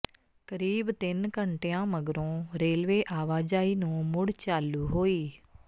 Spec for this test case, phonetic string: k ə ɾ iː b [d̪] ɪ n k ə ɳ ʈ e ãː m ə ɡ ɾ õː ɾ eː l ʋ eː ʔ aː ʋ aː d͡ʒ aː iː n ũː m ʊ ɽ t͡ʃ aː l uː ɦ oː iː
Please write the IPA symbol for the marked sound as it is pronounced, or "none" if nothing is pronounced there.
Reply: t̪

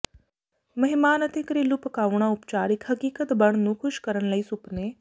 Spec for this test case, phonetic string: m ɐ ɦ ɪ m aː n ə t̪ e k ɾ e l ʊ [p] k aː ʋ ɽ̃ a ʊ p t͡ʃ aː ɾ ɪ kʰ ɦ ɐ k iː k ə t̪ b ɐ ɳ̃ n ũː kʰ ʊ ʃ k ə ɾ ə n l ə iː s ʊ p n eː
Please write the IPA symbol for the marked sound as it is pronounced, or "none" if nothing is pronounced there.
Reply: p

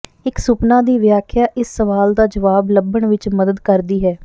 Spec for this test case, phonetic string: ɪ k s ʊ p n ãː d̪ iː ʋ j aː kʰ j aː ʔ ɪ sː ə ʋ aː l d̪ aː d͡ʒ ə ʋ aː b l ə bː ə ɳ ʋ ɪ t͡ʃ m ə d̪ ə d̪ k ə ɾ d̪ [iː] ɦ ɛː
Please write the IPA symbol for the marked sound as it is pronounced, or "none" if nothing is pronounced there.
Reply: iː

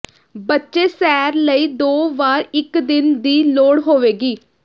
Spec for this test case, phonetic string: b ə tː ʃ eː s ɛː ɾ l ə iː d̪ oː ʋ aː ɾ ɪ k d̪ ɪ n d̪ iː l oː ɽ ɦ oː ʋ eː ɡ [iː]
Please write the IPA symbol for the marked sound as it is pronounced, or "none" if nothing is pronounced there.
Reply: iː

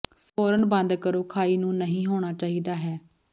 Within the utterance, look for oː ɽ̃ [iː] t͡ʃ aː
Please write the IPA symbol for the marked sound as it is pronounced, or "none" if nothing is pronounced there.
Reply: aː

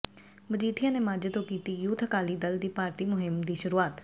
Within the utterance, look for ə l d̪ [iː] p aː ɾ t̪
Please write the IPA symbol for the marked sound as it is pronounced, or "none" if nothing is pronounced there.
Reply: iː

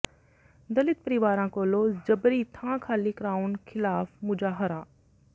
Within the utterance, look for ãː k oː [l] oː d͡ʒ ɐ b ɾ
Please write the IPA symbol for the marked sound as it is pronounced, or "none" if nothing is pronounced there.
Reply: l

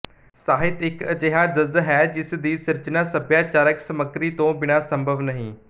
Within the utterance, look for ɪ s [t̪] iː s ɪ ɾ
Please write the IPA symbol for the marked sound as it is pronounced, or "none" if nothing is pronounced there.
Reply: d̪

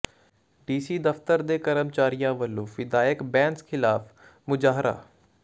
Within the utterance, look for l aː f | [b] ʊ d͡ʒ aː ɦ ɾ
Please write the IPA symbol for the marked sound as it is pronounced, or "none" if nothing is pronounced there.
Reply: m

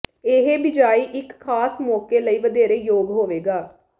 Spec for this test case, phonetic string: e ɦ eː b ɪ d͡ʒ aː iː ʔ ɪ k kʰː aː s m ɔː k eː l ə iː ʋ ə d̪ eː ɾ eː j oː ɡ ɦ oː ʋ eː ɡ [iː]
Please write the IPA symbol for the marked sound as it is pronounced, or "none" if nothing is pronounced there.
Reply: aː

